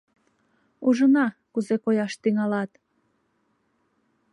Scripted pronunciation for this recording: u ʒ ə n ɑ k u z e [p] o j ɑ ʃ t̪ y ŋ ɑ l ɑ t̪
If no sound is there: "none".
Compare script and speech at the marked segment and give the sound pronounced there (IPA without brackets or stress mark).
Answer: k